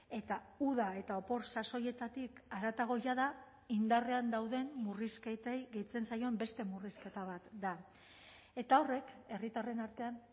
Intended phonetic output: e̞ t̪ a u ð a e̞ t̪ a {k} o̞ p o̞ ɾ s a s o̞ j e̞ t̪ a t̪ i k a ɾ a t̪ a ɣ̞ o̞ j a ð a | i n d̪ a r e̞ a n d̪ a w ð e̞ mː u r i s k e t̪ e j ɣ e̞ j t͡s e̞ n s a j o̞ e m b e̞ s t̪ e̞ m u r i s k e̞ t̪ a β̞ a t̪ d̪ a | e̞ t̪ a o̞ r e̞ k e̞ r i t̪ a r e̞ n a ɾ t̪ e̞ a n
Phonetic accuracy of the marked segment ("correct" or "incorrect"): incorrect